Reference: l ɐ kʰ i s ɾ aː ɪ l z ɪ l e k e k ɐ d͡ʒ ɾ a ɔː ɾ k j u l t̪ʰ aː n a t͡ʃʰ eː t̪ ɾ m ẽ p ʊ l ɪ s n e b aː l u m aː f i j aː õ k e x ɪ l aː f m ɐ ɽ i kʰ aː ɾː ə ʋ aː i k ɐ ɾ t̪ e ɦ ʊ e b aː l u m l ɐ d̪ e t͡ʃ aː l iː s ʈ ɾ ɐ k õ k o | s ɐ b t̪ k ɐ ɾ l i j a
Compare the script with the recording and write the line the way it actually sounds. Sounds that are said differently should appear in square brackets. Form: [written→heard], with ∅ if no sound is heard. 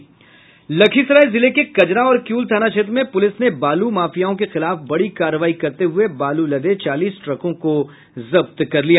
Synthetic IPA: l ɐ kʰ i s ɾ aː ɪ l z ɪ l e k e k ɐ d͡ʒ ɾ a ɔː ɾ k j [u→uː] l t̪ʰ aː n a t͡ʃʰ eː t̪ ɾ m ẽ p ʊ l ɪ s n e b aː l u m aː f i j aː õ k e x ɪ l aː f [m→b] ɐ ɽ i [kʰ→k] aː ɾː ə ʋ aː i k ɐ ɾ t̪ e ɦ ʊ e b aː l u [m→∅] l ɐ d̪ e t͡ʃ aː l iː s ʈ ɾ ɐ k õ k o | [s→z] ɐ b t̪ k ɐ ɾ l i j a